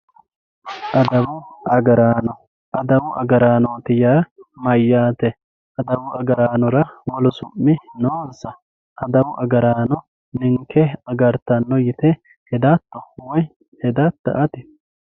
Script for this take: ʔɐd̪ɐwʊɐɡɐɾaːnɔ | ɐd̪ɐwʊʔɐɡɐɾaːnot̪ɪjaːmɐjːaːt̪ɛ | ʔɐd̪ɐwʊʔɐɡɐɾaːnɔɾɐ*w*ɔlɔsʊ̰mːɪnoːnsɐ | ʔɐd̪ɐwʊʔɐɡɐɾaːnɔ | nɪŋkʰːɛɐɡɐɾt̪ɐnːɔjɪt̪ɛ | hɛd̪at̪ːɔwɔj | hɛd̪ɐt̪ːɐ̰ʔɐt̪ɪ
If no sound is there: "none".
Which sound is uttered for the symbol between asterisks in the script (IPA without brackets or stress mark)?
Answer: w